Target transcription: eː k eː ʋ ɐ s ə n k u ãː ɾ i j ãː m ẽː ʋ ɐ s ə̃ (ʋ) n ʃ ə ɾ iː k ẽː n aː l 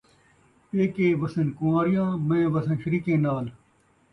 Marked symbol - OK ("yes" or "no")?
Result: no